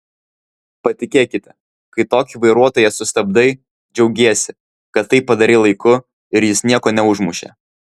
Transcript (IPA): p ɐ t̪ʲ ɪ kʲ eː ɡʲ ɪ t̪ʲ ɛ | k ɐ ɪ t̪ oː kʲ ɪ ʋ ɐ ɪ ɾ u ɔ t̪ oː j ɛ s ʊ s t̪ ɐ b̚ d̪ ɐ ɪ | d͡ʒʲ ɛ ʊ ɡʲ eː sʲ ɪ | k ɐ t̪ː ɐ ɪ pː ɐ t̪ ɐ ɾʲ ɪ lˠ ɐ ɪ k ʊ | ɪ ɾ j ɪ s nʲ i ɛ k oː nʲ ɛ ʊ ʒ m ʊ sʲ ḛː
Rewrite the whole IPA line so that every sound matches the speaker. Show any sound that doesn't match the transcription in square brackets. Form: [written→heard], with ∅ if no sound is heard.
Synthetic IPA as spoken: p ɐ t̪ʲ ɪ kʲ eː [ɡʲ→kʲ] ɪ t̪ʲ ɛ | k ɐ ɪ t̪ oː kʲ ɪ ʋ ɐ ɪ ɾ u ɔ t̪ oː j ɛ s ʊ s t̪ ɐ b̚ d̪ ɐ ɪ | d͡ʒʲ ɛ ʊ ɡʲ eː sʲ ɪ | k ɐ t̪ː ɐ ɪ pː ɐ [t̪→d̪] ɐ ɾʲ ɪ lˠ ɐ ɪ k ʊ | ɪ ɾ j ɪ s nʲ i ɛ k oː nʲ ɛ ʊ ʒ m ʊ [sʲ→ʃʲ] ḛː